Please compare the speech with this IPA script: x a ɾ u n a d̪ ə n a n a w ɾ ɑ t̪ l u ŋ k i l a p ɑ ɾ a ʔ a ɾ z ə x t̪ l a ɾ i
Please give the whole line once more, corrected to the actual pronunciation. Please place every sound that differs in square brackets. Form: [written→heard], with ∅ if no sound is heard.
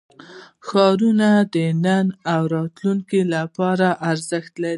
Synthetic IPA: x [a→ɑ] ɾ u n a d̪ ə n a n a w ɾ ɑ t̪ l u ŋ k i l a p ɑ ɾ a ʔ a ɾ z ə x t̪ l a ɾ i

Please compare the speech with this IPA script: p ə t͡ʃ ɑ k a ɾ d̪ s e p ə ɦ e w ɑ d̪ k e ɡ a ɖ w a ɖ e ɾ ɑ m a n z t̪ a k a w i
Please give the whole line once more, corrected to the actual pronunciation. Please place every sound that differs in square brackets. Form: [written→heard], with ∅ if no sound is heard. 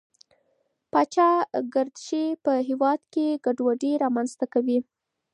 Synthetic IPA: p [ə→ɑ] t͡ʃ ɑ [k→ɡ] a ɾ d̪ [s→ʃ] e p ə ɦ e w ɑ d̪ k e ɡ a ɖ w a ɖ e ɾ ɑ m a n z t̪ a k a w i

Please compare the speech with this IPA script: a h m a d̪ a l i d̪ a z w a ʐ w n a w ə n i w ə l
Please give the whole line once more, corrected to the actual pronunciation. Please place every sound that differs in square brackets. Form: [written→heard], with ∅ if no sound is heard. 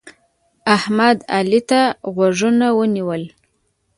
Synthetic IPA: a h m a d̪ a l i [d̪→t̪] a [z→ɣ] w a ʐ [w→u] n a w ə n i w ə l

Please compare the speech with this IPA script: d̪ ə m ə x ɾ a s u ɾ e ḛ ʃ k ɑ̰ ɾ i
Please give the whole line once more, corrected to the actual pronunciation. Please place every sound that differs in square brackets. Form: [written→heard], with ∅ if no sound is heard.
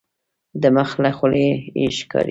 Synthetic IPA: d̪ ə m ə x [ɾ→l] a [s→x] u [ɾ→l] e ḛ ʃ k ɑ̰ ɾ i

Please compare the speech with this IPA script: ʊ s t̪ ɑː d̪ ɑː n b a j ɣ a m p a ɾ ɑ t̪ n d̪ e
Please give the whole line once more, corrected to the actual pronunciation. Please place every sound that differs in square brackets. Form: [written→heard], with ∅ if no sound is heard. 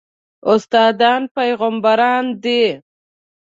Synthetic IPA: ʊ s t̪ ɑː d̪ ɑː n [b→p] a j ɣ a m [p→b] a ɾ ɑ [t̪→∅] n d̪ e

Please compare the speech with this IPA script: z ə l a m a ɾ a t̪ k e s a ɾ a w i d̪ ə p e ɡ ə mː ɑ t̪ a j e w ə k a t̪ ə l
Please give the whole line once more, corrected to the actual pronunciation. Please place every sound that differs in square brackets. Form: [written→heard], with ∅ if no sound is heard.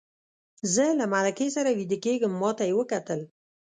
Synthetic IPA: z ə l a m a [ɾ→l] a [t̪→∅] k e s a ɾ a w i d̪ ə [p→k] e ɡ ə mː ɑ t̪ a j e w ə k a t̪ ə l

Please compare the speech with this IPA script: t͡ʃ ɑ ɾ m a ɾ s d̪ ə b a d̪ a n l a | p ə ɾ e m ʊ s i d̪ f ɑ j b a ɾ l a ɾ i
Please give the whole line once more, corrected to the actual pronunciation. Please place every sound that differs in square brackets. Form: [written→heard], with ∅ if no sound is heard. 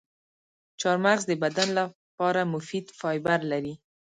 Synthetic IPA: t͡ʃ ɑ ɾ m a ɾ [s→z] d̪ ə b a d̪ a n l a | p [ə→ɑ] ɾ [e→a] m ʊ [s→f] i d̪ f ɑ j b a ɾ l a ɾ i

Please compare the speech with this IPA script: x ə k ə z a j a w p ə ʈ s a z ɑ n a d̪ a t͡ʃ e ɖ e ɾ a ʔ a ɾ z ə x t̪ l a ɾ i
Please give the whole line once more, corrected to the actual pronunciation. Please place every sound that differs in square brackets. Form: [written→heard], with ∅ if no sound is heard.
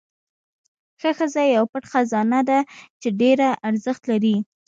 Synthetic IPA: x ə [k→x] ə z a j a w p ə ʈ [s→x] a z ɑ n a d̪ a t͡ʃ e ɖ e ɾ a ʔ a ɾ z ə x t̪ l a ɾ i

